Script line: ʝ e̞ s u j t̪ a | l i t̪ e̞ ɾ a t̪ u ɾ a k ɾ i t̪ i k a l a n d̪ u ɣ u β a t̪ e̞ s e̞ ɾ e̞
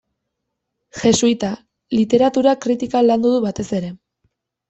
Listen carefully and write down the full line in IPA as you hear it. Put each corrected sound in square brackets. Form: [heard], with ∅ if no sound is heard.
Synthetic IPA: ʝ e̞ s u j t̪ a | l i t̪ e̞ ɾ a t̪ u ɾ a k ɾ i t̪ i k a l a n d̪ u [ð] u β a t̪ e̞ s e̞ ɾ e̞

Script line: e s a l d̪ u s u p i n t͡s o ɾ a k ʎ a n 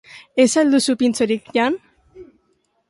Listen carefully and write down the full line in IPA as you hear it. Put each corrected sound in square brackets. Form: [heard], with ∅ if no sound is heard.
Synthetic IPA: e s a l d̪ u s u p i n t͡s o ɾ [i] k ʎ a n

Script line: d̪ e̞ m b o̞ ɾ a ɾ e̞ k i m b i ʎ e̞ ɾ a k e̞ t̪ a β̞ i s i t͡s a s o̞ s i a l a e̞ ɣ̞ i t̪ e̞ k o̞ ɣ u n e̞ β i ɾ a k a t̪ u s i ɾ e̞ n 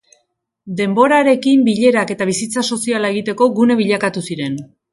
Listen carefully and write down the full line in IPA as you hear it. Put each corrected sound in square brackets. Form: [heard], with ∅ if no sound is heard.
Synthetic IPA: d̪ e̞ m b o̞ ɾ a ɾ e̞ k i m b i ʎ e̞ ɾ a k e̞ t̪ a β̞ i s i t͡s a s o̞ s i a l a e̞ ɣ̞ i t̪ e̞ k o̞ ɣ u n e̞ β i [ʎ] a k a t̪ u s i ɾ e̞ n

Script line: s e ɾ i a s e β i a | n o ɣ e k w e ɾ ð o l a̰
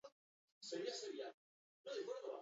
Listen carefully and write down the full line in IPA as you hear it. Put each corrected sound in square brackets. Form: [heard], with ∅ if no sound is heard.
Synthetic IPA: s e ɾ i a s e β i a | n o [ð] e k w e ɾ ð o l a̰

